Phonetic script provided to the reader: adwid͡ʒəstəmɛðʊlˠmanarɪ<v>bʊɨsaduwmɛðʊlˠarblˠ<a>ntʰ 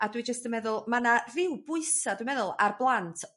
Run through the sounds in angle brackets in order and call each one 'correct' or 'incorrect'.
incorrect: w, correct

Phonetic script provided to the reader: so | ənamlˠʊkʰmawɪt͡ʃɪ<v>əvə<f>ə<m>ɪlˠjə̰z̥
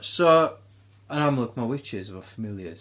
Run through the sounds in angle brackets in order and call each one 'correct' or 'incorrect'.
incorrect: z, correct, correct

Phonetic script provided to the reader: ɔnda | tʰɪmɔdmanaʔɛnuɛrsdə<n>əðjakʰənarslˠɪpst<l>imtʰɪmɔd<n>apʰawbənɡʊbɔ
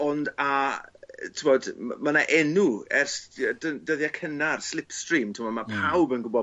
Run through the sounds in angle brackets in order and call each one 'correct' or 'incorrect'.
incorrect: d, incorrect: r, incorrect: m

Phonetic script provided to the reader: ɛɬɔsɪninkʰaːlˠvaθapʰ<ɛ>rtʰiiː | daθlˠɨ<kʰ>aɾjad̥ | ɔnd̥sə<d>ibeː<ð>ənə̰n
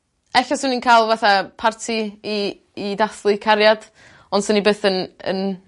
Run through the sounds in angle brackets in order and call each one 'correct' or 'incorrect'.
incorrect: a, correct, incorrect: n, incorrect: θ

